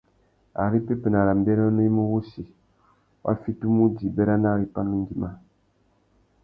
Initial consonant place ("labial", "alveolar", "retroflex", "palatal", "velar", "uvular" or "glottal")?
alveolar